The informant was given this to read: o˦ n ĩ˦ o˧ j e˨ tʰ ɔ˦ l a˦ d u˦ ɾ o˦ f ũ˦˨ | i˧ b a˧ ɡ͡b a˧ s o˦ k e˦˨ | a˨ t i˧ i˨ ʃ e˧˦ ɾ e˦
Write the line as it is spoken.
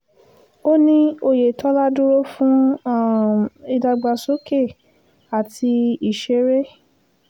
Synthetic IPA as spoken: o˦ n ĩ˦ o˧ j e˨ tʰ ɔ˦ l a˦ d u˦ ɾ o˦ f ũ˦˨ | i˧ d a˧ ɡ͡b a˧ s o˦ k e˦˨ | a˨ t i˧ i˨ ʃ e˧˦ ɾ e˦